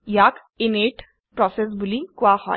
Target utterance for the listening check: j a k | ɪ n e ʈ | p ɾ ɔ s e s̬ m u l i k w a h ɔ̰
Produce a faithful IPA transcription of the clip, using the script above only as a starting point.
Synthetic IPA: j a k | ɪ n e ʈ | p ɾ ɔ s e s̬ b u l i k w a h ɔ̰